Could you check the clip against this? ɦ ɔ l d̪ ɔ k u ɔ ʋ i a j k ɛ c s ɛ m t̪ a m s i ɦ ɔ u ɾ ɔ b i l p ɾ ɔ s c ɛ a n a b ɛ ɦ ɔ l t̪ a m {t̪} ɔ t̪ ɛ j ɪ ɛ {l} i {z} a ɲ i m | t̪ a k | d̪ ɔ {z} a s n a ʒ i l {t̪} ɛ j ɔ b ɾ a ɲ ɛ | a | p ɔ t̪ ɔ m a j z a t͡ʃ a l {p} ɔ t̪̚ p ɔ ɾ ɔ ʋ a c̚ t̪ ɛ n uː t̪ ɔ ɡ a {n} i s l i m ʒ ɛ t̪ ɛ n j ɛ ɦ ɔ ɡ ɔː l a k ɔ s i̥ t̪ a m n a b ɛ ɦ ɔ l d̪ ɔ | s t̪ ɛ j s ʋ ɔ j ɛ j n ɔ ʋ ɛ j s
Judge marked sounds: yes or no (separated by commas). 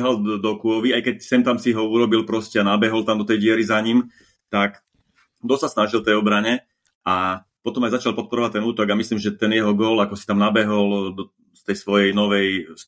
no, no, yes, no, yes, yes, no